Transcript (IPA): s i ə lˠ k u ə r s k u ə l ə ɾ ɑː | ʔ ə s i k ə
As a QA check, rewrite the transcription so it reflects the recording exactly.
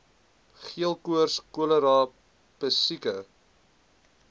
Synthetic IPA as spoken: χ i ə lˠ k u ə r s k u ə l ə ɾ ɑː | p ə s i k ə